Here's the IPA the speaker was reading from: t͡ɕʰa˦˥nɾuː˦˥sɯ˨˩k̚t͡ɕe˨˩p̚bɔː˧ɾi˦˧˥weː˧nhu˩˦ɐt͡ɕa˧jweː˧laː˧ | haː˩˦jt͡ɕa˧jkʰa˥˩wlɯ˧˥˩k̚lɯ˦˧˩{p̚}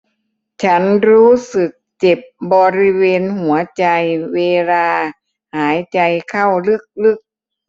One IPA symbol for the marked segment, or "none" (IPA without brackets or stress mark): k̚